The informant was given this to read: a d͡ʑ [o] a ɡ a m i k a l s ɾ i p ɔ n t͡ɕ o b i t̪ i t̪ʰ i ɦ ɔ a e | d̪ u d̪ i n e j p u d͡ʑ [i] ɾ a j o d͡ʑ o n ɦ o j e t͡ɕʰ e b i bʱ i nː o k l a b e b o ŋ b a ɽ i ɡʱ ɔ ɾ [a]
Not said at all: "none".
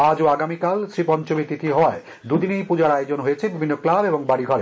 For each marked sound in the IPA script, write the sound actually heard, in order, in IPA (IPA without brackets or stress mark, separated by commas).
o, a, e